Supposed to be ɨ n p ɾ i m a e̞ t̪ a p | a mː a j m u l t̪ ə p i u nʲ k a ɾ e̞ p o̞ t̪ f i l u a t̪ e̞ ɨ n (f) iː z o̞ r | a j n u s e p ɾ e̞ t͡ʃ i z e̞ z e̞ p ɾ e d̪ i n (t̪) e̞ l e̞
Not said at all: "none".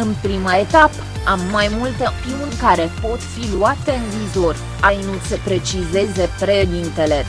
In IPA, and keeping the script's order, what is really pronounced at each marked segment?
v, t̪

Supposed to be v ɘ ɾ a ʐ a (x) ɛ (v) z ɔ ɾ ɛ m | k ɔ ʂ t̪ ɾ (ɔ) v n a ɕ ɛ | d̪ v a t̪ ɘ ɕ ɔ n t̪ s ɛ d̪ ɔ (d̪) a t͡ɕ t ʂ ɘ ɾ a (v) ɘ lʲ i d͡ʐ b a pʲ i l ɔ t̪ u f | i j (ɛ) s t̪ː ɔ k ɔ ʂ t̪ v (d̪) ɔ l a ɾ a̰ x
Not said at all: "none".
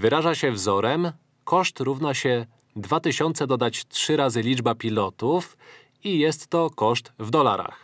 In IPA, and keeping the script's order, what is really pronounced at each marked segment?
ɕ, v, u, d̪, z, ɛ, d̪

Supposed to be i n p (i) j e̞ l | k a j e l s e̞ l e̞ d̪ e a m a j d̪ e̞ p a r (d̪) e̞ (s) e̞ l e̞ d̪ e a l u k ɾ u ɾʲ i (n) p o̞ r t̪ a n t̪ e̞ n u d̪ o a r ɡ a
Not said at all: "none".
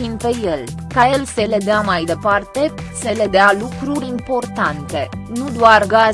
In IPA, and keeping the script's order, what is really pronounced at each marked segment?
e, t̪, s, m

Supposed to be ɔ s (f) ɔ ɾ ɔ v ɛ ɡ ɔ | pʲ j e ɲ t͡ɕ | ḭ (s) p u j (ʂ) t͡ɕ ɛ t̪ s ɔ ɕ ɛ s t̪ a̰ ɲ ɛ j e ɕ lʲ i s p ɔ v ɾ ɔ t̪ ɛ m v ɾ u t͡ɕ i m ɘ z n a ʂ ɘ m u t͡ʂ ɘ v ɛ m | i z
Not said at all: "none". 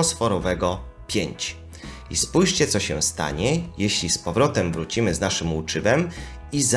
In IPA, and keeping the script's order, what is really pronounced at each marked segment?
f, s, ʂ

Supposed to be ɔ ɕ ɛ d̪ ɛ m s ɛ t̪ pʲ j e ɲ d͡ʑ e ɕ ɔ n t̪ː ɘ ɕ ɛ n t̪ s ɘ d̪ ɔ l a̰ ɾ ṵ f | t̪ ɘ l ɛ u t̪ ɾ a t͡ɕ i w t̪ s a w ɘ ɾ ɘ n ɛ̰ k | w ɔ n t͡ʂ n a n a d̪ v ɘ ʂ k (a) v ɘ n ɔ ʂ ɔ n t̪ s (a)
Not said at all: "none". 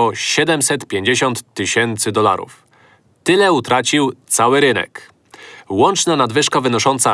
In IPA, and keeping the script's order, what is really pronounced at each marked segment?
a, a

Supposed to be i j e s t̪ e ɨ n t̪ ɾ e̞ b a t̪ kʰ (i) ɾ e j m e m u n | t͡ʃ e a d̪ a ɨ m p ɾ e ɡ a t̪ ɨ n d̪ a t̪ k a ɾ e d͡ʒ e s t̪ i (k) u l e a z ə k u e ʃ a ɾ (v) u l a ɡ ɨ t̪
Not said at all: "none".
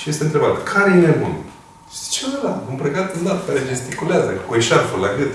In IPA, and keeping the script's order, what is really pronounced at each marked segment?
a, k, f

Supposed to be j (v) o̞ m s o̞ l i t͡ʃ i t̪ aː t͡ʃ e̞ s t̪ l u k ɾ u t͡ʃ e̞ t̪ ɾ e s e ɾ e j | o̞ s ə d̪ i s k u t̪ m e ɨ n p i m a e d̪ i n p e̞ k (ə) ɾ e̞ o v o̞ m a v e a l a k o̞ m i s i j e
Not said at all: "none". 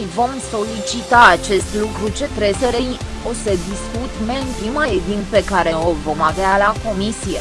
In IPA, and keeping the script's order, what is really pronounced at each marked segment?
v, a

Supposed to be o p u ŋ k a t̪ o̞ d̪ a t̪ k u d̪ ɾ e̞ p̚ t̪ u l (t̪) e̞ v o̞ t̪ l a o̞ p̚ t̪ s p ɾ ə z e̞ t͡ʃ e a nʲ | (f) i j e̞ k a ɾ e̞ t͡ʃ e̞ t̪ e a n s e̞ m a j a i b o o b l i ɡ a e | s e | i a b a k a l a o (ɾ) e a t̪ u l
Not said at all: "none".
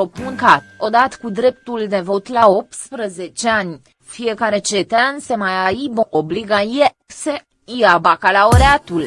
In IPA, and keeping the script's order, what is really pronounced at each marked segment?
d̪, f, ɾ

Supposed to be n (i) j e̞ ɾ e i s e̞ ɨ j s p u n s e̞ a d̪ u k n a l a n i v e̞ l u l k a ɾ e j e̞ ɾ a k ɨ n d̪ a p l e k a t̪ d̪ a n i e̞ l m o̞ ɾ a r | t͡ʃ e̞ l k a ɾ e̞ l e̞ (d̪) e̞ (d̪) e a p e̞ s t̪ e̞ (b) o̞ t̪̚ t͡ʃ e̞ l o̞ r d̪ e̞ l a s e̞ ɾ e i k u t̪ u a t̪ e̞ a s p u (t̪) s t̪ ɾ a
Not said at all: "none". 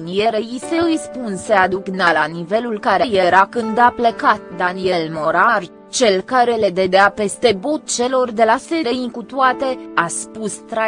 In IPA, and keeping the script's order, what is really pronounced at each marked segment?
i, d̪, d̪, b, none

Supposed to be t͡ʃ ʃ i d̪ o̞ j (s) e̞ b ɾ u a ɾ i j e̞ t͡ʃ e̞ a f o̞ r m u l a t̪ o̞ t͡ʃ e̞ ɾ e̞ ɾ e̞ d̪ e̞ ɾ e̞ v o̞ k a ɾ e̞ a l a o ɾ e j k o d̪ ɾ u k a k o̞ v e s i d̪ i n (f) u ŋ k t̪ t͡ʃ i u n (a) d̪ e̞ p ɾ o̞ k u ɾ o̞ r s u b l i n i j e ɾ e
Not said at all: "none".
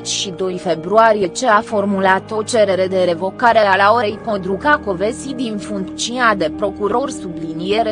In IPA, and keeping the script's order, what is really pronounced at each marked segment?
f, f, a

